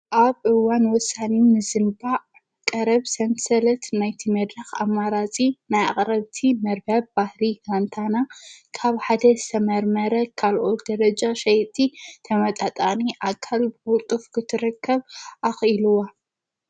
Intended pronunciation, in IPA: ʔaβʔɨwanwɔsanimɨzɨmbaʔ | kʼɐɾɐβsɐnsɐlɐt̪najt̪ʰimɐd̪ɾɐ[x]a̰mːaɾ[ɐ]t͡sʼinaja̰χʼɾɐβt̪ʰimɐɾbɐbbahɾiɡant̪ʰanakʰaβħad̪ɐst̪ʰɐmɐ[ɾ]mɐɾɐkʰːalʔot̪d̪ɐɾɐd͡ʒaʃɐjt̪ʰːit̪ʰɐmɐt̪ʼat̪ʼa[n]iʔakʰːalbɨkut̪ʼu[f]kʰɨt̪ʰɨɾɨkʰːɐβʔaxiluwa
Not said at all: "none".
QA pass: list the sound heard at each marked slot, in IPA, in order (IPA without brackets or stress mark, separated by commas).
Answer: x, a, ɾ, n, f